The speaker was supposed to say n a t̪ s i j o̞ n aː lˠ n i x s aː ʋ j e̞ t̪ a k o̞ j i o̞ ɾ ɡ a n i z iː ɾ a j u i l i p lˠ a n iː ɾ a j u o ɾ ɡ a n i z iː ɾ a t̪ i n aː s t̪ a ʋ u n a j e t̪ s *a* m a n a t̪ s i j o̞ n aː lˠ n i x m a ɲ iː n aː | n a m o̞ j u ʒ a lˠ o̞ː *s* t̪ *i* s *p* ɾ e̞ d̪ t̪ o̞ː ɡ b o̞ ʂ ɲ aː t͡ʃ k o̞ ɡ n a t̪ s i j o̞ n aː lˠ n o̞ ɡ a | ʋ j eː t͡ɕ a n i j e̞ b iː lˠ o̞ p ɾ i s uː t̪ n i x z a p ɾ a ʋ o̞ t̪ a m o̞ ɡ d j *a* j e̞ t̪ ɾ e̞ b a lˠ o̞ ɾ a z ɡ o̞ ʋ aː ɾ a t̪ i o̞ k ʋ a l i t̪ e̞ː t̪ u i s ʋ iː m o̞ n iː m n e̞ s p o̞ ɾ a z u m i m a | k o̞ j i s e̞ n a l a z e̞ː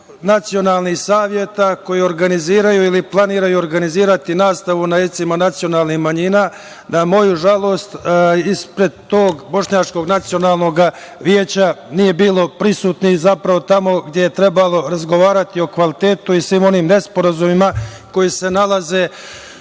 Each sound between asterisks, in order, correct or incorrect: incorrect, correct, correct, correct, incorrect

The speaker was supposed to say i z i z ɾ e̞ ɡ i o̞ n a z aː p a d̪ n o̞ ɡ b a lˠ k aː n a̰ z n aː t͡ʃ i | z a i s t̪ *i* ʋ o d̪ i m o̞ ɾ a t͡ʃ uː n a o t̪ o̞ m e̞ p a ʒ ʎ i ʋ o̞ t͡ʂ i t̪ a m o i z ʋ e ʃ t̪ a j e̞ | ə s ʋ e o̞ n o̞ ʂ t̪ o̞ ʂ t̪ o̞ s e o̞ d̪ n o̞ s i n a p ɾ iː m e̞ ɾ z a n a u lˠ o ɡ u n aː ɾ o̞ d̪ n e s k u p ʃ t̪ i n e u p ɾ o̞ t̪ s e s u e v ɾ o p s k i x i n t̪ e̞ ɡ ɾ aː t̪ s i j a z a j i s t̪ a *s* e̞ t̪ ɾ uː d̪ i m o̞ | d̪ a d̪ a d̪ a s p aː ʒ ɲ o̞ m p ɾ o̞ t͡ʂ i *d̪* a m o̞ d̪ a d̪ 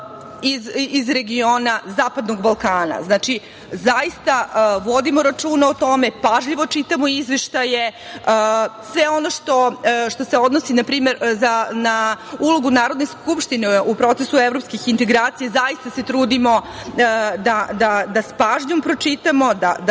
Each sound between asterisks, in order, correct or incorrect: incorrect, correct, incorrect

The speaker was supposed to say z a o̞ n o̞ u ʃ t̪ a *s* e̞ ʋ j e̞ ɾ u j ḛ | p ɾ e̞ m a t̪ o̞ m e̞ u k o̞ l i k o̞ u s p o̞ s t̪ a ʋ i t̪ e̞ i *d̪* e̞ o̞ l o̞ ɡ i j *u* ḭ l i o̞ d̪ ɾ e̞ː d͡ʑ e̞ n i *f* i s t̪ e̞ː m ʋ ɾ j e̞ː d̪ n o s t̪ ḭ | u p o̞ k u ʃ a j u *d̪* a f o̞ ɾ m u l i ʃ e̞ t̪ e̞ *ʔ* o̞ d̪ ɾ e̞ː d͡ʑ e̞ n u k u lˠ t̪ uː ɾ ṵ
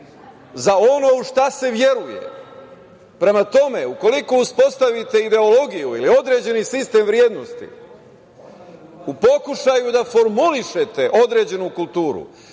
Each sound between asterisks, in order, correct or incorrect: correct, correct, correct, incorrect, correct, correct

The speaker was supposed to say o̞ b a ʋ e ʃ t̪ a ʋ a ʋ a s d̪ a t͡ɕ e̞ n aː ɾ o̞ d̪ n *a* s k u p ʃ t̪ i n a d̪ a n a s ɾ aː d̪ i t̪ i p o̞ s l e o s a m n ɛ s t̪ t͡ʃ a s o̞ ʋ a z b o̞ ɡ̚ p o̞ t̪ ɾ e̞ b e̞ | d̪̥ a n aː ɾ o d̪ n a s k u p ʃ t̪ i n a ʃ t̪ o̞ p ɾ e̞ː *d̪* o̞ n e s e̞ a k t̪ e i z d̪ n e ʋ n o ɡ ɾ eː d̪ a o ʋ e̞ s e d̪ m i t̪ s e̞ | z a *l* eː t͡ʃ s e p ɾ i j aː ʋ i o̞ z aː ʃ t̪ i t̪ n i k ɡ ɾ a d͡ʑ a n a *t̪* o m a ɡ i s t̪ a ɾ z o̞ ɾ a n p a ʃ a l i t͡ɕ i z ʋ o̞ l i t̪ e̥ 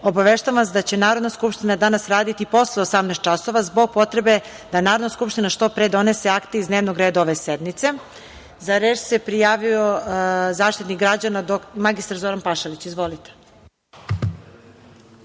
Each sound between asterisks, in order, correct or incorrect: correct, correct, incorrect, incorrect

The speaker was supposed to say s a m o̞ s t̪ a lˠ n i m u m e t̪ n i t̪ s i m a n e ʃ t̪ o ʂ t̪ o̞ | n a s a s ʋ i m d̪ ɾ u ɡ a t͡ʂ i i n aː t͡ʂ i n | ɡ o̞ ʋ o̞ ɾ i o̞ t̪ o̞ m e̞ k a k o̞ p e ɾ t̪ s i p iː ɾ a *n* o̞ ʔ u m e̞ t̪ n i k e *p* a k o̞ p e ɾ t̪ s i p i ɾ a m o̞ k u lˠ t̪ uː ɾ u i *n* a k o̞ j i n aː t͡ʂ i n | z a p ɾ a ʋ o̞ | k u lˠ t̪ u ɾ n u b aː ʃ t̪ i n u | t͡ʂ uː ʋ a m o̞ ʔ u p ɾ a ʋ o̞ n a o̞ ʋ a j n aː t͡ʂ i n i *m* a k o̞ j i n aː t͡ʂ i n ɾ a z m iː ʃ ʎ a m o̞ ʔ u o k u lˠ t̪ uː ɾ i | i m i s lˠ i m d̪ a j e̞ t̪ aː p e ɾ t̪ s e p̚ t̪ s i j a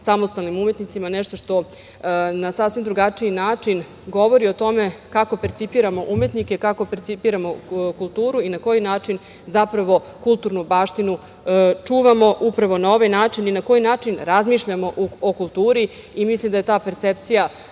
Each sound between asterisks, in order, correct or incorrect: incorrect, incorrect, correct, incorrect

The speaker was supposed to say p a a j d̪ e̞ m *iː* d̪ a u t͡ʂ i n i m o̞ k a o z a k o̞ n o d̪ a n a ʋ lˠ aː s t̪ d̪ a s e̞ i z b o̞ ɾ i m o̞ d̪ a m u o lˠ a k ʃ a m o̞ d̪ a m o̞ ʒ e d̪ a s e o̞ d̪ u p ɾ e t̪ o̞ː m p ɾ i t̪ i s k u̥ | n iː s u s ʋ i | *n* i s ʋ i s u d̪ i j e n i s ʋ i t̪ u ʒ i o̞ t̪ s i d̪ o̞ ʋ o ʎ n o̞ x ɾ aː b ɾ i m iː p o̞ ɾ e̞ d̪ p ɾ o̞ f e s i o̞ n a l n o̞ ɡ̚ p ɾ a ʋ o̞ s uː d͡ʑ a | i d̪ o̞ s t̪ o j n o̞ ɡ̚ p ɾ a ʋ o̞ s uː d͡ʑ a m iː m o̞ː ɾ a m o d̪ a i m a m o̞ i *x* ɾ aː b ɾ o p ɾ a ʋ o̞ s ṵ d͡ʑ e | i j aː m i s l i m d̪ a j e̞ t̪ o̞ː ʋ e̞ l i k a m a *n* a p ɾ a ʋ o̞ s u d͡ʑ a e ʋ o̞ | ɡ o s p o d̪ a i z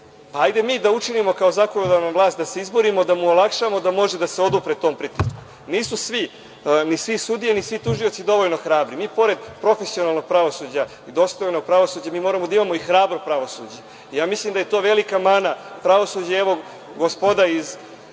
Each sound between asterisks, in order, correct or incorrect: correct, correct, correct, correct

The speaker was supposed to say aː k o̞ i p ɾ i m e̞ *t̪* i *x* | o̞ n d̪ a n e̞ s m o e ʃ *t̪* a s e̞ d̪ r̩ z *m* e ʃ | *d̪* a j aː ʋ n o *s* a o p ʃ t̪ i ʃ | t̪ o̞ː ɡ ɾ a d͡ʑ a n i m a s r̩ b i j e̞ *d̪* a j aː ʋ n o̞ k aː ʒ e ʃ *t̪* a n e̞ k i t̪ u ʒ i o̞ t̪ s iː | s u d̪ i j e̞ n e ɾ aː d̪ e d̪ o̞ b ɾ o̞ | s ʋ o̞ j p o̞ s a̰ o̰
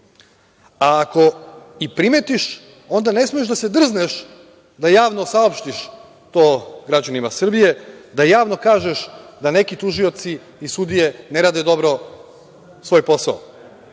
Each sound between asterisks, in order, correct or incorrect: correct, incorrect, incorrect, incorrect, correct, correct, correct, incorrect

